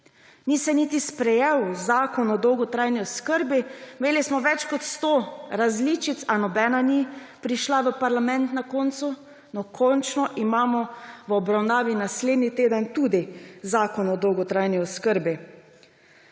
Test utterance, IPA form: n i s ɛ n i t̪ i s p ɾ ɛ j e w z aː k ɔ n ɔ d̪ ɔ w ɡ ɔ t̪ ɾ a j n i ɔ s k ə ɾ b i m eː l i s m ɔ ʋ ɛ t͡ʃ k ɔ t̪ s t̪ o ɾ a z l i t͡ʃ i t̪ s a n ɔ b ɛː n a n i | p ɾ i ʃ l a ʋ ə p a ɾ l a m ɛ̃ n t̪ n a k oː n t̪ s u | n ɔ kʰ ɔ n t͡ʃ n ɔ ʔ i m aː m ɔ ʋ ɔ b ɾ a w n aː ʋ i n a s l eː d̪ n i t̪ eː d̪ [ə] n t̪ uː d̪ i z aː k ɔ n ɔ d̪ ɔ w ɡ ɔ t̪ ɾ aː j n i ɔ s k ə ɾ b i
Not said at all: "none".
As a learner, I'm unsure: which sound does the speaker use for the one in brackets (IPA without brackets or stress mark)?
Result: ə